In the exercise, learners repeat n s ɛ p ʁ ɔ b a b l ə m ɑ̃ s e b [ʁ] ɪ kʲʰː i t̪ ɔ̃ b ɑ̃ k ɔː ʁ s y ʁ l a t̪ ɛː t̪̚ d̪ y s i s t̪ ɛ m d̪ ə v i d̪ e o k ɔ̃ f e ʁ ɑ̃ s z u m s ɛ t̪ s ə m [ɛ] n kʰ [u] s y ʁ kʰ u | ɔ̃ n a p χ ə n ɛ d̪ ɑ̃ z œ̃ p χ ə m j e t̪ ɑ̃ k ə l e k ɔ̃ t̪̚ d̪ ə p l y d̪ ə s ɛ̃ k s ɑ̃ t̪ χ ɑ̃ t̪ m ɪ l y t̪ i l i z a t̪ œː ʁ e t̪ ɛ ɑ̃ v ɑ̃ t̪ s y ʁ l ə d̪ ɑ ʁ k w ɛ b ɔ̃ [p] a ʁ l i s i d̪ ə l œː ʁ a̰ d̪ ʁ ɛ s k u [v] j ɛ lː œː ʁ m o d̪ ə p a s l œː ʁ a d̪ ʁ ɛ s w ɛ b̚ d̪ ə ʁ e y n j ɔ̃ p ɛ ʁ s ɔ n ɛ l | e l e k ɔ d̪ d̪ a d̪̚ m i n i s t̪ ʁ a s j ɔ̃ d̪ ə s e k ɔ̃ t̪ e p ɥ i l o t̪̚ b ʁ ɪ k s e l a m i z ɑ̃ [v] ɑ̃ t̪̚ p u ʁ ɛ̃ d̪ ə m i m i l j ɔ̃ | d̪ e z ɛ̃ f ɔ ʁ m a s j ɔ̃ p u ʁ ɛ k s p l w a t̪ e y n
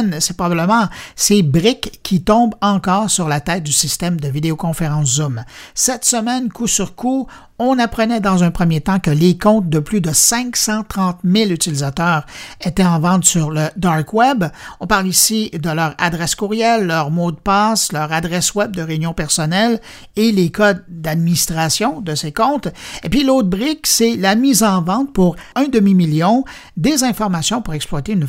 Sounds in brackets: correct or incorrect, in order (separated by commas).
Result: correct, correct, correct, correct, incorrect, correct